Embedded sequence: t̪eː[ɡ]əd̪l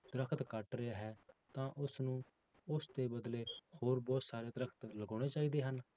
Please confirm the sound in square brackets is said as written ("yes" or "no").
no